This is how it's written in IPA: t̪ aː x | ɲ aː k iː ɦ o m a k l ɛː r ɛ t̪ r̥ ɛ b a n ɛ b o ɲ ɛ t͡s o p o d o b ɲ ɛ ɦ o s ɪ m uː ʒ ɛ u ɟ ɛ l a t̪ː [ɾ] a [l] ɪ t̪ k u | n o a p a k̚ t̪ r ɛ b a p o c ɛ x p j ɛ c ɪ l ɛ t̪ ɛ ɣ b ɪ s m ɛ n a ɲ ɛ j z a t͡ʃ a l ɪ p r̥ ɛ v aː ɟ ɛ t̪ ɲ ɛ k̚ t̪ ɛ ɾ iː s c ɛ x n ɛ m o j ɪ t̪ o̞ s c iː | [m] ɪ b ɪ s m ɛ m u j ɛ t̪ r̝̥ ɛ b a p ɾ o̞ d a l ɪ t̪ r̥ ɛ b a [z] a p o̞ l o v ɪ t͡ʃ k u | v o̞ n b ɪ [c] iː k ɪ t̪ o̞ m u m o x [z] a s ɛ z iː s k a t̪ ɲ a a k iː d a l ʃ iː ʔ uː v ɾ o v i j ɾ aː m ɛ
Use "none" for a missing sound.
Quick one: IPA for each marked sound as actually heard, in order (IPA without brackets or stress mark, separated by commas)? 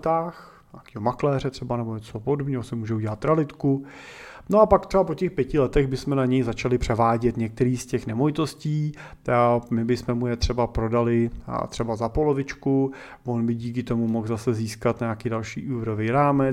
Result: ɾ, l, m, z, ɟ, z